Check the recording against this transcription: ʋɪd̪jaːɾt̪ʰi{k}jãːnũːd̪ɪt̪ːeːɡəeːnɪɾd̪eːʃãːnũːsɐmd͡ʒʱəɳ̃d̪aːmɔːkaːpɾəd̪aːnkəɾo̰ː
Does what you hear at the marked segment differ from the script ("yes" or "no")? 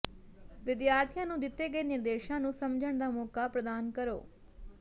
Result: yes